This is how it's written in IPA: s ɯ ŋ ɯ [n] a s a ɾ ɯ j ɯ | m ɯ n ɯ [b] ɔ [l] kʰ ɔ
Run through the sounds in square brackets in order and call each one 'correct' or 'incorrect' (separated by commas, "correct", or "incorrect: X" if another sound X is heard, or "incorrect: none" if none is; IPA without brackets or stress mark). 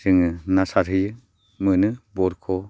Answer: correct, correct, incorrect: ɾ